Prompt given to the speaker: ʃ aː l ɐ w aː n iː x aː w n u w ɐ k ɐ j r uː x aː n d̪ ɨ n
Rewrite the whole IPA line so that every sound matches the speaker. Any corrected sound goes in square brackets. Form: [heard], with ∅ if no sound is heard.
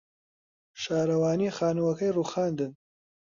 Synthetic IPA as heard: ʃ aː [ɾ] ɐ w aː n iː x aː [∅] n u w ɐ k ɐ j r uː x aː n d̪ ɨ n